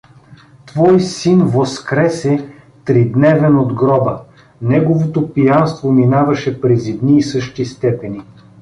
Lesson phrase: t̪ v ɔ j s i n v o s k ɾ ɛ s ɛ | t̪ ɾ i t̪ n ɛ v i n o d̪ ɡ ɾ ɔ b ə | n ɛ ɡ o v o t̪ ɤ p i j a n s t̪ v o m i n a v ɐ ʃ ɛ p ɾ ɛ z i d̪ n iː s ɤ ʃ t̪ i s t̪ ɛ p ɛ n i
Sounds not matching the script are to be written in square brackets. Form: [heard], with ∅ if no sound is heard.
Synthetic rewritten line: t̪ v ɔ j s i n v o s k ɾ ɛ s ɛ | t̪ ɾ i [d̪] n ɛ v [ɛ] n o d̪ ɡ ɾ ɔ b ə | n ɛ ɡ o v o t̪ [o] p i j a n s t̪ v o m i n a v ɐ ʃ ɛ p ɾ ɛ z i d̪ n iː s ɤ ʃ t̪ i s t̪ ɛ p ɛ n i